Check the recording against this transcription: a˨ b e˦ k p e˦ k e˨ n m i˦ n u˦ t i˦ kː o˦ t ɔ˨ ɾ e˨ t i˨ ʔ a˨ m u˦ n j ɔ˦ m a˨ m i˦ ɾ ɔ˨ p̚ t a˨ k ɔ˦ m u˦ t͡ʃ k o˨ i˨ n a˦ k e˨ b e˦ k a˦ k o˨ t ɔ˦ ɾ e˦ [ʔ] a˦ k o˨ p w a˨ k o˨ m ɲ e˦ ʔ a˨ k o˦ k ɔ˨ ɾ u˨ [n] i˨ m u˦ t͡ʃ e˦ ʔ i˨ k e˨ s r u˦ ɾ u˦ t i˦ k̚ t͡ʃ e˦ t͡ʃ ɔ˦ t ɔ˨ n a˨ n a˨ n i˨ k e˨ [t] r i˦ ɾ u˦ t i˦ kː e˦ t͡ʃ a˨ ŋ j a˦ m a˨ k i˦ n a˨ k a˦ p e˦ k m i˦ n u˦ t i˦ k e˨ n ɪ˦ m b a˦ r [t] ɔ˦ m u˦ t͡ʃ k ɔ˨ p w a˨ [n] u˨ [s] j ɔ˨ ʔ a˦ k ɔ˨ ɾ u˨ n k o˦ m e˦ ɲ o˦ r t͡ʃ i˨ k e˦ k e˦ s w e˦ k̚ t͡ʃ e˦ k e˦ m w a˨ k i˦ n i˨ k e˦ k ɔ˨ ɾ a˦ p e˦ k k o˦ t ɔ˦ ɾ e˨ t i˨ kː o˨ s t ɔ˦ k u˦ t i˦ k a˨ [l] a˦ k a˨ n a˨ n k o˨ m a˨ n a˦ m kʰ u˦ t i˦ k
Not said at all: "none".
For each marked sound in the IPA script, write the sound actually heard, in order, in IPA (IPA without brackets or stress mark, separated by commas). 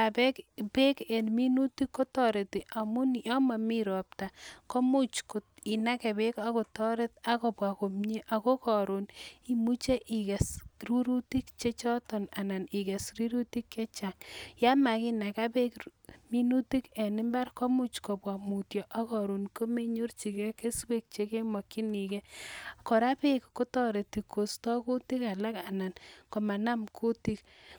t, n, s, k, m, t, l